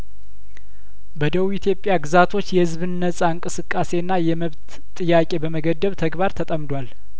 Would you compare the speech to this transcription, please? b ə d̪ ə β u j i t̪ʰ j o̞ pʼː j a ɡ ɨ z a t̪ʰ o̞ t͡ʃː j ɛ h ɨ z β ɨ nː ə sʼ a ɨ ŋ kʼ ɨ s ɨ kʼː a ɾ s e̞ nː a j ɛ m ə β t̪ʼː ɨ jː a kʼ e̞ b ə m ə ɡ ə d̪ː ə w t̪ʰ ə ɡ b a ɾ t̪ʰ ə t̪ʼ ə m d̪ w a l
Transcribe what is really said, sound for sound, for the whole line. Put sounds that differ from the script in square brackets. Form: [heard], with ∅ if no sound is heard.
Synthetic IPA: b ə d̪ ə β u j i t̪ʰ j o̞ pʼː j a ɡ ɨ z a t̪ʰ o̞ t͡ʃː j ɛ h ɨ z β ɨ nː ə sʼ a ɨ ŋ kʼ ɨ s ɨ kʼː a [∅] s e̞ nː a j ɛ m ə β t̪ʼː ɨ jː a kʼ e̞ b ə m ə ɡ ə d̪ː ə [β] t̪ʰ ə ɡ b a ɾ t̪ʰ ə t̪ʼ ə m d̪ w a l